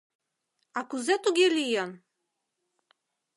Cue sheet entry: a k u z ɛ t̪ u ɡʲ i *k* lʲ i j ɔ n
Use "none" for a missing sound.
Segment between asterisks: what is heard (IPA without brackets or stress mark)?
none